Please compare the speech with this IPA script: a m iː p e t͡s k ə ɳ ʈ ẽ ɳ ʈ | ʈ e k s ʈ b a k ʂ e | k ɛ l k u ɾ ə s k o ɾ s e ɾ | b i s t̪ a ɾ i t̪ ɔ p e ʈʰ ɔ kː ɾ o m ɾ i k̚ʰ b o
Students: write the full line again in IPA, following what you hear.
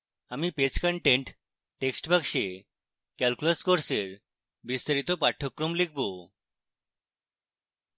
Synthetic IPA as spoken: a m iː p e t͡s k ə ɳ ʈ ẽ ɳ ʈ | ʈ e k s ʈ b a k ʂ e | k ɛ l k u l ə s k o ɾ s e ɾ | b i s t̪ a ɾ i t̪ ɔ p a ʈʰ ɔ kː ɾ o m l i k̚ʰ b o